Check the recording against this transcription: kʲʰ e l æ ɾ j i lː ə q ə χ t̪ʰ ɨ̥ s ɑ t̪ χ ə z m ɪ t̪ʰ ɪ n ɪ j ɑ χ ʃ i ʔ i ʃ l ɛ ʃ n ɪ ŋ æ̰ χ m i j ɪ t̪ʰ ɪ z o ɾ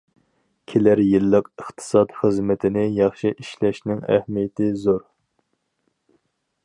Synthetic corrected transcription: kʲʰ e l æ ɾ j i lː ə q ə χ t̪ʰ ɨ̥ s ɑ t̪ χ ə z m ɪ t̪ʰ ɪ n ɪ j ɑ χ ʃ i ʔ i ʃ l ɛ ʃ n ɪ ŋ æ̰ h m i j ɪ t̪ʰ ɪ z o ɾ

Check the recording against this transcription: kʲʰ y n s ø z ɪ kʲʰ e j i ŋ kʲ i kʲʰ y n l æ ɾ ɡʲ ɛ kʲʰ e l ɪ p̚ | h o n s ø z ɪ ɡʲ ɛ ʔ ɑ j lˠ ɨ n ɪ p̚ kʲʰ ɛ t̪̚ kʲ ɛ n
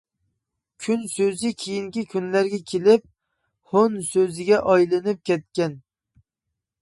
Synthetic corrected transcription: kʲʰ y n s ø z ɪ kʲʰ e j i ŋ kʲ i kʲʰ y n l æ ɾ ɡʲ ɛ kʲʰ e l ɪ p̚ | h o n s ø z ɪ ɡʲ ɛ ʔ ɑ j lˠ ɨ n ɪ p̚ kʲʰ ɛ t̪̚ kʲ ɛ n

